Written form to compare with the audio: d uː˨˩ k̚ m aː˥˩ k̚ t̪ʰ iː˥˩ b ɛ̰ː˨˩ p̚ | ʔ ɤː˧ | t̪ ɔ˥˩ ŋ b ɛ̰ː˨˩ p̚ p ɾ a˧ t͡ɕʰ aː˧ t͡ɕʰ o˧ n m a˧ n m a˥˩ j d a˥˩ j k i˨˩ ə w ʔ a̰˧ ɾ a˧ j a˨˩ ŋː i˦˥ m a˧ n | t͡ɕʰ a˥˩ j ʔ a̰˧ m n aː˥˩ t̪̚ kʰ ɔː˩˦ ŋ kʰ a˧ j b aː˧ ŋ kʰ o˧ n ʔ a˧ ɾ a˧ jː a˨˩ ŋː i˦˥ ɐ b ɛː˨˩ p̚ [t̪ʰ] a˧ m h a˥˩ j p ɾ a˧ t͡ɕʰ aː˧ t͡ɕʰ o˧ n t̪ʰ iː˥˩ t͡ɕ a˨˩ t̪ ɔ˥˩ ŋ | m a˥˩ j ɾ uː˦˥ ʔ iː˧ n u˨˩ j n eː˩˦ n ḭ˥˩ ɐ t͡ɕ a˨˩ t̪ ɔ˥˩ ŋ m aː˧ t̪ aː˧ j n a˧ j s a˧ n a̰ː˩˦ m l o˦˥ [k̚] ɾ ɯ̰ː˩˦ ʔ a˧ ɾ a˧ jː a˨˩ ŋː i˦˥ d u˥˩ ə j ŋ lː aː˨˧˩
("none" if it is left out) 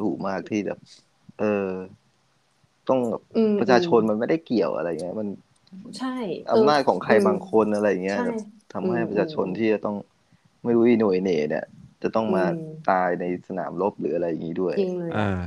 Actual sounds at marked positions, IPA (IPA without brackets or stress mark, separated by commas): t̪ʰ, p̚